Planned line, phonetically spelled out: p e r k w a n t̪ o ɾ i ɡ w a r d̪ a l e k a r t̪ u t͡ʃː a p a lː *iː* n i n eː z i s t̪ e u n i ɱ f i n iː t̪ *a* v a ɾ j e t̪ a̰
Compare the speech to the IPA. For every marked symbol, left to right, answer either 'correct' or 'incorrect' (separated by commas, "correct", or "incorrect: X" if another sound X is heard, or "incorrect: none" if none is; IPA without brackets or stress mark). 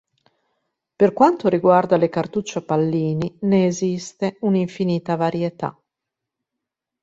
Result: correct, correct